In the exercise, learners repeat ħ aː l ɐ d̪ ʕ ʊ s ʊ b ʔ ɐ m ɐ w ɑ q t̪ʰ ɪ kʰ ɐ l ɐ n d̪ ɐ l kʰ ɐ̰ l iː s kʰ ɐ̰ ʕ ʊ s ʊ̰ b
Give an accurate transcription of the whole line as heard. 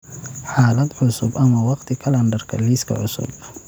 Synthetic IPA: ħ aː l ɐ d̪ ʕ ʊ s ʊ b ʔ ɐ m ɐ w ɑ q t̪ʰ ɪ kʰ ɐ l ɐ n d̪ ɐ r kʰ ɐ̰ l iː s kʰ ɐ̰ ʕ ʊ s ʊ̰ b

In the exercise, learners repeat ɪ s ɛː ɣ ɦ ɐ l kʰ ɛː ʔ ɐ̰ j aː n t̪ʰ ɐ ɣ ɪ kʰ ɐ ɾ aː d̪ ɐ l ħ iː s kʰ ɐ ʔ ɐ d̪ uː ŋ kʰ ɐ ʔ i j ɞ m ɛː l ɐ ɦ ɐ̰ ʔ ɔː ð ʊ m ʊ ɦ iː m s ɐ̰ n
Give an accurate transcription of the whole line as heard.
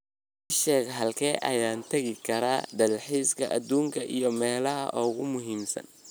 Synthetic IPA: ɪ ʃ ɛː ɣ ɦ ɐ l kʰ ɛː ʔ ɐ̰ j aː n t̪ʰ ɐ ɣ ɪ kʰ ɐ ɾ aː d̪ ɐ l ħ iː s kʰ ɐ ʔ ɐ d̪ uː ŋ kʰ ɐ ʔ i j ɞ m ɛː l ɐ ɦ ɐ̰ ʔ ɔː ɣ ʊ m ʊ ɦ iː m s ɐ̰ n

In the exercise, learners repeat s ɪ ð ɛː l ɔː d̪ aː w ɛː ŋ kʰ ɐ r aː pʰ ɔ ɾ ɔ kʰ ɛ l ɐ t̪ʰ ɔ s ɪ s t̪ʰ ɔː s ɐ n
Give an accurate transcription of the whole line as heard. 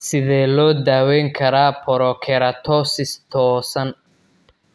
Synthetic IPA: s ɪ ð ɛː l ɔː d̪ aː w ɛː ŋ kʰ ɐ ɾ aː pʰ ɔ ɾ ɔ kʰ ɛ ɾ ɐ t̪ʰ ɔ s ɪ s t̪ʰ ɔː s ɐ n

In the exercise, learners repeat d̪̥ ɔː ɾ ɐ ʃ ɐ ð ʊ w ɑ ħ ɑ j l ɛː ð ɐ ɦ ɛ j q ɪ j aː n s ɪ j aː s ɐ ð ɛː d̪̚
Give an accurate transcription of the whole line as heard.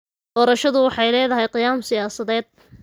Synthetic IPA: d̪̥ ɔː ɾ ɐ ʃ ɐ ð ʊ w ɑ ħ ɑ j l ɛː ð ɐ ɦ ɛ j q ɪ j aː m s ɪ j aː s ɐ ð ɛː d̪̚

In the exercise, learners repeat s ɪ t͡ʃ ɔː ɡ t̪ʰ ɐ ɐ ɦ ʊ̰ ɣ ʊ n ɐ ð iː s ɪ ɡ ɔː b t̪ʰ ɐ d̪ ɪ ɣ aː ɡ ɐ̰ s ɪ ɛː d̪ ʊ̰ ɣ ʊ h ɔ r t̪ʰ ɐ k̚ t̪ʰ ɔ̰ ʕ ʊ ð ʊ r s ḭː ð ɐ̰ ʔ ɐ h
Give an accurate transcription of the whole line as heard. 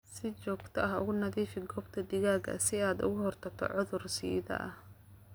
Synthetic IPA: s ɪ t͡ʃ ɔː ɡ t̪ʰ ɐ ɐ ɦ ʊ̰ ɣ ʊ n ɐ ð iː f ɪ ɡ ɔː b t̪ʰ ɐ d̪ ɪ ɣ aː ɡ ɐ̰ s ɪ aː d̪ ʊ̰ ɣ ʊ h ɔ r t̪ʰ ɐ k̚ t̪ʰ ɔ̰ ʕ ʊ ð ʊ r s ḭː ð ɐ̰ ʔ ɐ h

